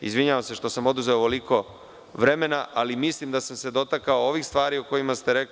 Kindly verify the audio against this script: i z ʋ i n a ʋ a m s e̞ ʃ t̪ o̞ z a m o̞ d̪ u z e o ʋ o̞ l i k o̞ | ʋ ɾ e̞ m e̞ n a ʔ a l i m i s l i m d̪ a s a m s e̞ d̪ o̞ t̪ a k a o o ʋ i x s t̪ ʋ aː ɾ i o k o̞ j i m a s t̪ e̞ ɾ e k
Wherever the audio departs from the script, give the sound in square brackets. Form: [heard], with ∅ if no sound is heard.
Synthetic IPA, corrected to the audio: i z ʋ i [ɲ] a ʋ a m s e̞ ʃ t̪ o̞ [s] a m o̞ d̪ u z e o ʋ o̞ l i k o̞ | ʋ ɾ e̞ m e̞ n a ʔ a l i m i s l i m d̪ a s a m s e̞ d̪ o̞ t̪ a k a o o ʋ i x s t̪ ʋ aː ɾ i o k o̞ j i m a s t̪ e̞ ɾ e k